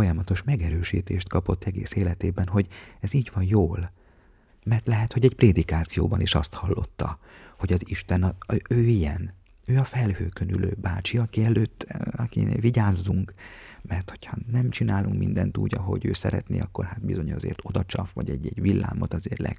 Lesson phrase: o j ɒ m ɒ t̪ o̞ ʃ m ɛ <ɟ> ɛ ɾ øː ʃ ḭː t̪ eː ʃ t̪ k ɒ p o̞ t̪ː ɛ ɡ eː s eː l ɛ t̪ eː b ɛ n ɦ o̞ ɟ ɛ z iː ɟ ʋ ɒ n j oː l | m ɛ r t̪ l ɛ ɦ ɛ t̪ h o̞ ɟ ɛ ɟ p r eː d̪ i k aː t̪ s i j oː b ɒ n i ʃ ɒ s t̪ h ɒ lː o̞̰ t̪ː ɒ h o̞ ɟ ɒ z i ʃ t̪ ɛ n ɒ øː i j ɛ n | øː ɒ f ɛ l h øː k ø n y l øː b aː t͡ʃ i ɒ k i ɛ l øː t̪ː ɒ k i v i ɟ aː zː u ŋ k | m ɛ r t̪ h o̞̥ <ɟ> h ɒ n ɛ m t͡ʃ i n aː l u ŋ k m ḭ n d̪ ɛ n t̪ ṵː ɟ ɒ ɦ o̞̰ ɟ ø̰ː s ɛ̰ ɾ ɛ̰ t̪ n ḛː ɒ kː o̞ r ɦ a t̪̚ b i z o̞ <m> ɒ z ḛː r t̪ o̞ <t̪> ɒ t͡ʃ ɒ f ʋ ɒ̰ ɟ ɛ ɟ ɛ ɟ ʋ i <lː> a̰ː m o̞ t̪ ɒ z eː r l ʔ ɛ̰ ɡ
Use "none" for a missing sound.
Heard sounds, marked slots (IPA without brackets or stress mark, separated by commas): ɡ, c, ɲ, d̪, lː